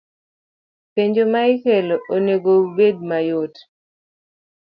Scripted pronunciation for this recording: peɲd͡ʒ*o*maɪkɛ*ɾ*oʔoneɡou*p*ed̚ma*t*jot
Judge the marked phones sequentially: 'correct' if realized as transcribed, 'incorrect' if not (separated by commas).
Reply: correct, incorrect, incorrect, incorrect